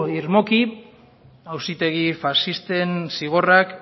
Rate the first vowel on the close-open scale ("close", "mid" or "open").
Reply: close